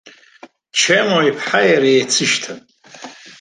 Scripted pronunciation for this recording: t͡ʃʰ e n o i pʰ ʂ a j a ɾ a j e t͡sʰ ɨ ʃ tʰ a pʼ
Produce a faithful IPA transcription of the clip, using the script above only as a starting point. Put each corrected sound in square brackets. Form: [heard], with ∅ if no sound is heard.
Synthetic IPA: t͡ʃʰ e [m] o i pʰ [ħ] a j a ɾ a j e t͡sʰ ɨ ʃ tʰ a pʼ